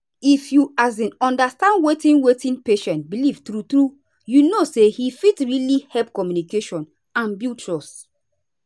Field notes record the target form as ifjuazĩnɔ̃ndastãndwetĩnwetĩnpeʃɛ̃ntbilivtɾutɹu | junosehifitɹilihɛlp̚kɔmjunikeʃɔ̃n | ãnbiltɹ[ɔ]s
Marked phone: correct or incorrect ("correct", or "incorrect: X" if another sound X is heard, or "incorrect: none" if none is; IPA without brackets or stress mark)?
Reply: correct